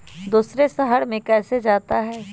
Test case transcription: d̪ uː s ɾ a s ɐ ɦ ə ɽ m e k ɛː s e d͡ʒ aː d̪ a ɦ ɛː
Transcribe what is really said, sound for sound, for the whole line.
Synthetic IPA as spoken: d̪ uː s ɾ e s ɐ ɦ ə ɽ m ẽ k ɛː s e d͡ʒ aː t̪ a ɦ ɛː